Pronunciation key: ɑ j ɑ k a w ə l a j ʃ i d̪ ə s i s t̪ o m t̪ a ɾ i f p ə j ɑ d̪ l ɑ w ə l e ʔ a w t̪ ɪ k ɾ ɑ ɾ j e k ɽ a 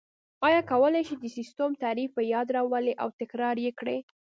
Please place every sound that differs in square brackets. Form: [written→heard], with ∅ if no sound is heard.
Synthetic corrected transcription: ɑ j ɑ k a w ə l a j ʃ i d̪ ə s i s t̪ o m t̪ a ɾ i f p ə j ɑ d̪ [l→ɾ] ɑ w ə l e ʔ a w t̪ ɪ k ɾ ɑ ɾ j e k ɽ [a→e]